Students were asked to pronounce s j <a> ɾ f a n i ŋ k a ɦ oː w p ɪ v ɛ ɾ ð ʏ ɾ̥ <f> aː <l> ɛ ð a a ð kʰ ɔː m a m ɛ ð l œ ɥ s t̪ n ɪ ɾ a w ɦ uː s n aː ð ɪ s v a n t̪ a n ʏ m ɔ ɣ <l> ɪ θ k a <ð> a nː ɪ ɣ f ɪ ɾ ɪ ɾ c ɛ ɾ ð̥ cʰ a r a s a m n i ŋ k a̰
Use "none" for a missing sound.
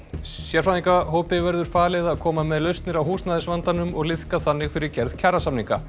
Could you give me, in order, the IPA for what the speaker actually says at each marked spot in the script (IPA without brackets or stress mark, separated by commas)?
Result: ɛ, f, l, l, θ